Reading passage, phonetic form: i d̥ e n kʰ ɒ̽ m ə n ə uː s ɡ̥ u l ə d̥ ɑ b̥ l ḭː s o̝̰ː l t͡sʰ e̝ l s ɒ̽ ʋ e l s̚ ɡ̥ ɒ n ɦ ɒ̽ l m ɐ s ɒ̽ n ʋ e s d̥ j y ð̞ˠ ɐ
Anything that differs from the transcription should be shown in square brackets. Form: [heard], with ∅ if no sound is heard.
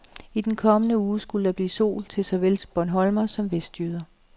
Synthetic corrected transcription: i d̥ e n kʰ ɒ̽ m ə n ə uː s ɡ̥ u l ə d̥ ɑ b̥ l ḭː s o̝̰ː l t͡sʰ e̝ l s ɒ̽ ʋ e l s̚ [b̥] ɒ n ɦ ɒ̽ l m ɐ s ɒ̽ [m] ʋ e s d̥ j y ð̞ˠ ɐ